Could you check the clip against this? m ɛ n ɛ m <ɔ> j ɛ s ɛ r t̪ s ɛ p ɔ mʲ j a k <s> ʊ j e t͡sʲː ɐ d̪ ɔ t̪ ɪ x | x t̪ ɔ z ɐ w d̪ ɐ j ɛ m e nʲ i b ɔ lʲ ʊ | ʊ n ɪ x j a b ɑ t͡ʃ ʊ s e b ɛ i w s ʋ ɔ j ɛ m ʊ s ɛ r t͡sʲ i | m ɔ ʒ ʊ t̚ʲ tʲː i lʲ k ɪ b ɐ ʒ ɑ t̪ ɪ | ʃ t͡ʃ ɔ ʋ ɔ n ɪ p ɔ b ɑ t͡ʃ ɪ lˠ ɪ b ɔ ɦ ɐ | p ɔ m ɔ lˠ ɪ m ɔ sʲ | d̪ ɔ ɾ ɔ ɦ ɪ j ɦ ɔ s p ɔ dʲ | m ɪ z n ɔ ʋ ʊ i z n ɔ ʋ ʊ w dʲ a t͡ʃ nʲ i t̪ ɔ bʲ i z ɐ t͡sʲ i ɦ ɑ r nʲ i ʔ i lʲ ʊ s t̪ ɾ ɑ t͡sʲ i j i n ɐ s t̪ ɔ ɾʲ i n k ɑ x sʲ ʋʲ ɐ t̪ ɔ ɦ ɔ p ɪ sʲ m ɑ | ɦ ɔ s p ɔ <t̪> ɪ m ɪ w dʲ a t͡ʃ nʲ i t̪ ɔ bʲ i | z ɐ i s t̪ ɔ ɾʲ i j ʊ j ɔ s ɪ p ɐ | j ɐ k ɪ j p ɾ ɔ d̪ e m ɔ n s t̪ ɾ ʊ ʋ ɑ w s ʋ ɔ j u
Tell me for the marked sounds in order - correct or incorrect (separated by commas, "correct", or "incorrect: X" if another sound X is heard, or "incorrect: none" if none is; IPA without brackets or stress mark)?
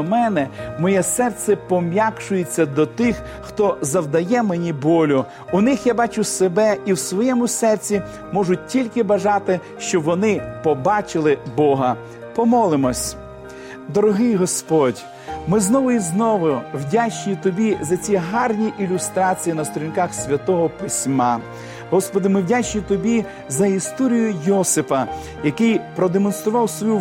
correct, incorrect: ʃ, incorrect: d̪